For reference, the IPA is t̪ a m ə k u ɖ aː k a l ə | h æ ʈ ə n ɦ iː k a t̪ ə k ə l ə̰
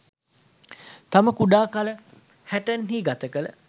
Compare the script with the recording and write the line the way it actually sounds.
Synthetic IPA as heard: t̪ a m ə k u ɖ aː k a l ə | h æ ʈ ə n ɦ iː ɡ a t̪ ə k ə l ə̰